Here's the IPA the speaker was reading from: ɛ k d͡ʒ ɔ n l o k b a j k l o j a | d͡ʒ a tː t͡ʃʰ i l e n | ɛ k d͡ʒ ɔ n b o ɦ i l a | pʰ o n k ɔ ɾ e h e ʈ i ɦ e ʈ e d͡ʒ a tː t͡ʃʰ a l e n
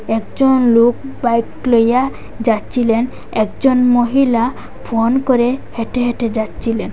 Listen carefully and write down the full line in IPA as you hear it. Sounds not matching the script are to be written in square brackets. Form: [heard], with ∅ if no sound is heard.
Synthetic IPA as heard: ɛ k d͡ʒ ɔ n l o k b a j k l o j a | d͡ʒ a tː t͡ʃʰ i l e n | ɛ k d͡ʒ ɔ n [m] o ɦ i l a | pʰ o n k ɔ ɾ e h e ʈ [e] ɦ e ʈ e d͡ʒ a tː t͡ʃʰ [i] l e n